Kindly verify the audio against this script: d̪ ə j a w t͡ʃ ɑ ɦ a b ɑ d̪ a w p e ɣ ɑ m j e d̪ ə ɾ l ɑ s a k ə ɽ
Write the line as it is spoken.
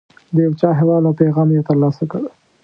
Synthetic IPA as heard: d̪ ə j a w t͡ʃ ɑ ɦ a w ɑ d̪ a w p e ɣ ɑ m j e t̪ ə ɾ l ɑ s a k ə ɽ